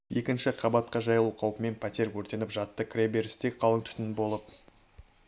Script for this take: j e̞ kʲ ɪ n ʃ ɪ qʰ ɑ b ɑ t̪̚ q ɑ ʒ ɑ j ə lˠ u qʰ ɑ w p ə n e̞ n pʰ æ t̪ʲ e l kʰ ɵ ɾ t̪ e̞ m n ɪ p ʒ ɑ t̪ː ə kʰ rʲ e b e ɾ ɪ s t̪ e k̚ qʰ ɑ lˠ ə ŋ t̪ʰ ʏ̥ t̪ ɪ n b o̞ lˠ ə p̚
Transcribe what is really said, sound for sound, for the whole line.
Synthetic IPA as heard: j e̞ kʲ ɪ n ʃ ɪ qʰ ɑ b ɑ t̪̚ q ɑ ʒ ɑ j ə lˠ u qʰ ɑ w p ə m e̞ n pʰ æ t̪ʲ e ɾ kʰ ɵ ɾ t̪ e̞ n ɪ p ʒ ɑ t̪ː ə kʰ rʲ e b e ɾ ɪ s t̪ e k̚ qʰ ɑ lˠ ə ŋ t̪ʰ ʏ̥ t̪ ɪ n b o̞ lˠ ə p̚